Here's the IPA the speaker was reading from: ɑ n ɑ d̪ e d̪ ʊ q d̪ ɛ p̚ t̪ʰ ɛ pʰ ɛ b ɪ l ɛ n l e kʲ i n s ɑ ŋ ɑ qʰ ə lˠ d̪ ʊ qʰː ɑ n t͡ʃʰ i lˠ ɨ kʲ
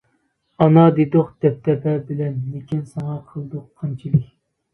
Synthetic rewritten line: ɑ n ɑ d̪ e d̪ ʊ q d̪ ɛ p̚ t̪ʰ ɛ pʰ ɛ b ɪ l ɛ n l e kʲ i n s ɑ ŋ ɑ qʰ ə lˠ d̪ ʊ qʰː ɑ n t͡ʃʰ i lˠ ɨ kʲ